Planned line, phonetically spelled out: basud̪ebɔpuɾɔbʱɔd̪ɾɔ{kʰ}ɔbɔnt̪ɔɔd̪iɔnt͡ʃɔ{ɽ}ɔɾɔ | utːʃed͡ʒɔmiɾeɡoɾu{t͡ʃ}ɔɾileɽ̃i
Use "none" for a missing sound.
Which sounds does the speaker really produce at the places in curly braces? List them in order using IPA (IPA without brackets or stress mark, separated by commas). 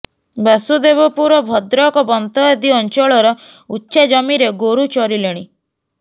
k, ɭ, t͡ʃ